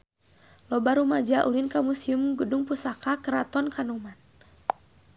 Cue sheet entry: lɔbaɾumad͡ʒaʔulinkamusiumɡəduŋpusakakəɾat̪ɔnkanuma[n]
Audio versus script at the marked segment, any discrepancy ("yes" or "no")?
no